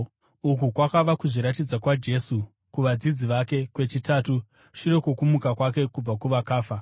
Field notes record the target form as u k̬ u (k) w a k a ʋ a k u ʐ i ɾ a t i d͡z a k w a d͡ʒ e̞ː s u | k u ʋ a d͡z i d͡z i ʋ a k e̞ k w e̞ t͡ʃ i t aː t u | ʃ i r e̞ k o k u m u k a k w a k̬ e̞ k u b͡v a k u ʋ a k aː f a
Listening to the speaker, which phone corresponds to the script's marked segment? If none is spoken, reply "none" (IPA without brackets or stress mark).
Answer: k